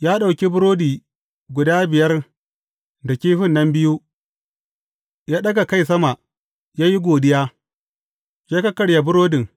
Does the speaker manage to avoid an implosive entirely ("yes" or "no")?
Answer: no